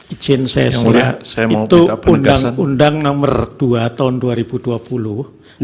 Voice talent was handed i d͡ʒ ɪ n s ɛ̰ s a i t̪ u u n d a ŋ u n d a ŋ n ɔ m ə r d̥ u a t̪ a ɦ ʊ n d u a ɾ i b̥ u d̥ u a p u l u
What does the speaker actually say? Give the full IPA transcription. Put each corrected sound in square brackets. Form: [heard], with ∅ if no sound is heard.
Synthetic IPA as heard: i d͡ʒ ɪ n s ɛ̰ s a i t̪ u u n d a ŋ u n d a ŋ n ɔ m ə r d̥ u a t̪ a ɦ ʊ n d u a ɾ i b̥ u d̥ u a p u l u

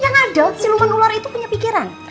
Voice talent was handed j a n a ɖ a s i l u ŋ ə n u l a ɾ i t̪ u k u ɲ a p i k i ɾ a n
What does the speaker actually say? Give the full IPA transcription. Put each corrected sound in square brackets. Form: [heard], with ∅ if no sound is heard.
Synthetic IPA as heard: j a [ŋ] a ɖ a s i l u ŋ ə n u l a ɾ i t̪ u [p] u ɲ a p i k i ɾ a n

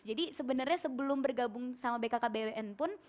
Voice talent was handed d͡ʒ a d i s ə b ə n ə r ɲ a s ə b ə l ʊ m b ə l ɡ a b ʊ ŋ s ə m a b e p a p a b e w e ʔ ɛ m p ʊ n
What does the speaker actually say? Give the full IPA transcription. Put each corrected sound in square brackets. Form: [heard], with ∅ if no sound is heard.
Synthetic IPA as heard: d͡ʒ a d i s ə b ə n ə r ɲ a s ə b ə l ʊ m b ə [r] ɡ a b ʊ ŋ s [a] m a b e [k] a [k] a b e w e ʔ ɛ [n] p ʊ n

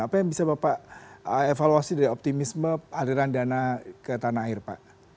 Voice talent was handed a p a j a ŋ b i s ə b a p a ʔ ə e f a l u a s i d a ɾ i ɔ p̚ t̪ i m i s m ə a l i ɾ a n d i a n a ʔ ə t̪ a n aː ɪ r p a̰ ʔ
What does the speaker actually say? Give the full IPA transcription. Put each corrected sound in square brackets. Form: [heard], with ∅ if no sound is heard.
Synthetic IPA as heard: a p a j a ŋ b i s [a] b a p a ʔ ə e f a l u a s i d a ɾ i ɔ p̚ t̪ i m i s m ə a l i ɾ a n d i a n a [k] ə t̪ a n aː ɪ r p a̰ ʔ

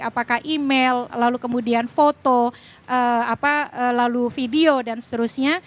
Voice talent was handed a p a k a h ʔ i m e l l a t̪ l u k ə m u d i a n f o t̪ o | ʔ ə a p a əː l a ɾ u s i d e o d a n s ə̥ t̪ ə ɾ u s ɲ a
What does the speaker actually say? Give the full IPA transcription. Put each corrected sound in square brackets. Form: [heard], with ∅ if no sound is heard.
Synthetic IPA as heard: a p a k a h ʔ i m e l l a [∅] l u k ə m u d i a n f o t̪ o | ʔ ə a p a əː l a [l] u [f] i d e o d a n s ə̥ t̪ ə ɾ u s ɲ a

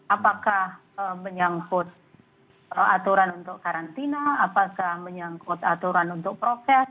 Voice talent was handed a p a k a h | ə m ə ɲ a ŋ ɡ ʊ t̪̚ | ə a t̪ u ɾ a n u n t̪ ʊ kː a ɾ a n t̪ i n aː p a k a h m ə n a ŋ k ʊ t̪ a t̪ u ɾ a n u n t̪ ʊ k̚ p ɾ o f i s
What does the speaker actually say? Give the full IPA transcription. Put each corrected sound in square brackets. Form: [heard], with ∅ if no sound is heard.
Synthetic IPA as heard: a p a k a h | ə m ə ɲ a ŋ [k] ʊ t̪̚ | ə a t̪ u ɾ a n u n t̪ ʊ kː a ɾ a n t̪ i n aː p a k a h m ə [ɲ] a ŋ k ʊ t̪ a t̪ u ɾ a n u n t̪ ʊ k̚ p ɾ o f [ɛ] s

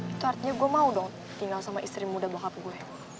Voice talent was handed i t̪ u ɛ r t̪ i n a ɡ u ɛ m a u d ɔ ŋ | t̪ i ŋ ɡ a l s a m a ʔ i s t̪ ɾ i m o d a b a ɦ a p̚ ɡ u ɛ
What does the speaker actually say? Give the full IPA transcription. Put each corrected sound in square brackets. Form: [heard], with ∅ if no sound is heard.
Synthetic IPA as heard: i t̪ u [a] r t̪ i [ɲ] a ɡ u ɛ m a u d ɔ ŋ | t̪ i ŋ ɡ a l s a m a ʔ i s t̪ ɾ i m [u] d a b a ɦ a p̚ ɡ u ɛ

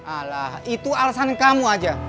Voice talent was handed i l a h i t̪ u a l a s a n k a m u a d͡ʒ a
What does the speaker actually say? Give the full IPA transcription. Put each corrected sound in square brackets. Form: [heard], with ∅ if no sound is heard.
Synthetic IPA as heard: [a] l a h i t̪ u a l a s a n k a m u a d͡ʒ a

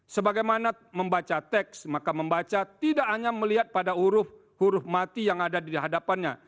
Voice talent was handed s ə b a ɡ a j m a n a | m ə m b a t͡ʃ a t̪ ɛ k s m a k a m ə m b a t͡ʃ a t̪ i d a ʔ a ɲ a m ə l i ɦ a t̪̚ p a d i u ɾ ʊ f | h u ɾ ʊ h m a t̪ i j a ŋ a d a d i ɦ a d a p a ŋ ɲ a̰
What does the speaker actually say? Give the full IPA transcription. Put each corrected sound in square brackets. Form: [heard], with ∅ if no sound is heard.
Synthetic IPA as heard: s ə b a ɡ a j m a n a | m ə m b a t͡ʃ a t̪ ɛ k s m a k a m ə m b a t͡ʃ a t̪ i d a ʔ a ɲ a m ə l i ɦ a t̪̚ p a d [a] u ɾ ʊ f | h u ɾ ʊ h m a t̪ i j a ŋ a d a d i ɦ a d a p a [n] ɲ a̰

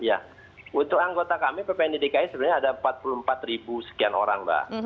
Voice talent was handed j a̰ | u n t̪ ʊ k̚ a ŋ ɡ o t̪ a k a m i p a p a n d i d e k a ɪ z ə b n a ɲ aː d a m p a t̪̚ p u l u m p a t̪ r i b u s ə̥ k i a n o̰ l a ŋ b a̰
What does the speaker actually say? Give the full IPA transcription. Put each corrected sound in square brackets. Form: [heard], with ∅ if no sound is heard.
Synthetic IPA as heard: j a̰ | u n t̪ ʊ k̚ a ŋ ɡ o t̪ a k a m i p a p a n d i d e k a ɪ [s] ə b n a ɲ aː d a m p a t̪̚ p u l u m p a t̪ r i b u s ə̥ k i a n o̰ [ɾ] a ŋ b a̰

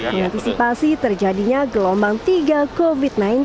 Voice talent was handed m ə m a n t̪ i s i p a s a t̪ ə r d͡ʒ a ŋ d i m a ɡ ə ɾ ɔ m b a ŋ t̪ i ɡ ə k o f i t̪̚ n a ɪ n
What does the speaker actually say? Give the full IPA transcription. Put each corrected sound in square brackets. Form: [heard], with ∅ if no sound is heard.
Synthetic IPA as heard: m ə [ŋ] a n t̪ i s i p a s [i] t̪ ə r d͡ʒ a [∅] d i [ɲ] a ɡ ə [l] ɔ m b a ŋ t̪ i ɡ [a] k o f i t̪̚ n a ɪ n

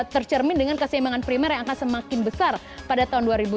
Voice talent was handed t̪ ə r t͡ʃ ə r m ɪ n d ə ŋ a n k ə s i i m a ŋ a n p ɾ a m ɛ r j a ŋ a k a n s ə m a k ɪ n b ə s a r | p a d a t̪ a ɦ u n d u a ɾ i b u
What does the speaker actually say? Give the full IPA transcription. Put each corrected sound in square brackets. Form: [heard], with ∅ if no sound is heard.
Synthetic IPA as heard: t̪ ə r t͡ʃ ə r m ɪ n d ə ŋ a n k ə s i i m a ŋ a n p ɾ [i] m ɛ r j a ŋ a k a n s ə m a k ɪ n b ə s a r | p a d a t̪ a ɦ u n d u a ɾ i b u

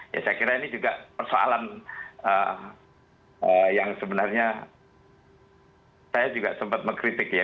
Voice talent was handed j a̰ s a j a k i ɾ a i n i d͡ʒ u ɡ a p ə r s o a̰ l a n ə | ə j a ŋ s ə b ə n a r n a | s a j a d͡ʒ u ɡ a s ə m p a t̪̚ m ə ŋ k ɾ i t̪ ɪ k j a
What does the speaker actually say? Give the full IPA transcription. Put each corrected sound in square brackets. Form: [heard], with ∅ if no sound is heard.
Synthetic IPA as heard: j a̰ s a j a k i ɾ a i n i d͡ʒ u ɡ a p ə r s o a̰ l a n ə | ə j a ŋ s ə b ə n a r [ɲ] a | s a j a d͡ʒ u ɡ a s ə m p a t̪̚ m ə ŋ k ɾ i t̪ ɪ k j a

